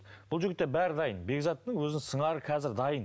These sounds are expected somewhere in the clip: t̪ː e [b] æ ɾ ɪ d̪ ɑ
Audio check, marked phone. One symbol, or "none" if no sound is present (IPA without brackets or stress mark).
b